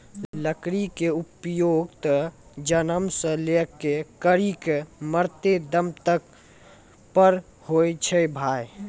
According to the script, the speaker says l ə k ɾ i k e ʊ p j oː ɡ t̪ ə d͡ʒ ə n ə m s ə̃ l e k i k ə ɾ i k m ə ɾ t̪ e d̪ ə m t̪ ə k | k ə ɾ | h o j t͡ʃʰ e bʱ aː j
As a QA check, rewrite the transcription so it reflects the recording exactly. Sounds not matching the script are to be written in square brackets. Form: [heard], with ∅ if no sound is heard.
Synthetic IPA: l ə k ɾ i k e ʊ p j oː ɡ t̪ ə d͡ʒ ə n ə m s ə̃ l e k [e] k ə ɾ i k m ə ɾ t̪ e d̪ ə m t̪ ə k | [p] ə ɾ | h o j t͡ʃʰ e bʱ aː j